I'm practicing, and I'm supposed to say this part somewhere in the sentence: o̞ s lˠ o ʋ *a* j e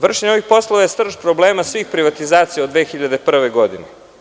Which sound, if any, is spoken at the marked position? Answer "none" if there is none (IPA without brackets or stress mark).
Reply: a